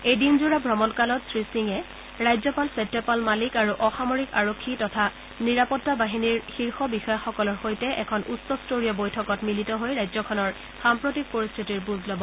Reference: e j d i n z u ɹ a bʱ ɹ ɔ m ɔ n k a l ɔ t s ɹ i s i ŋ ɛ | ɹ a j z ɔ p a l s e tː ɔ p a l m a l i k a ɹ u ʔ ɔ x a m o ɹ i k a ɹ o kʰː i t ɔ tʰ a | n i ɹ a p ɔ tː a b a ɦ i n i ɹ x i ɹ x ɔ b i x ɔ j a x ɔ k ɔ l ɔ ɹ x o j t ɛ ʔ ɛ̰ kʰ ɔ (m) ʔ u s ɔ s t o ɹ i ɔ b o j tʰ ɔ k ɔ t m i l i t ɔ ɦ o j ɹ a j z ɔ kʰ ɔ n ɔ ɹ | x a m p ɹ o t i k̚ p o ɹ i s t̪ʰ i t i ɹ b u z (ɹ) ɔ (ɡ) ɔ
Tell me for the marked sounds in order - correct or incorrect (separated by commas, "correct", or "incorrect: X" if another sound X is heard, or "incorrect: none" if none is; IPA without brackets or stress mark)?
incorrect: n, incorrect: l, incorrect: b